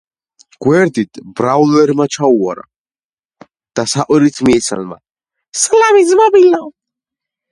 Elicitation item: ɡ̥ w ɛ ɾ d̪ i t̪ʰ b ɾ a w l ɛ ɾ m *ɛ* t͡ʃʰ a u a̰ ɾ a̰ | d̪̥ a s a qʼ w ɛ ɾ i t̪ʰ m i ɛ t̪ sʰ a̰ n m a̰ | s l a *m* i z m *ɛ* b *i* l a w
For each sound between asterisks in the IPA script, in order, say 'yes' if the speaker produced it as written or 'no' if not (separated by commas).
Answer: no, yes, no, yes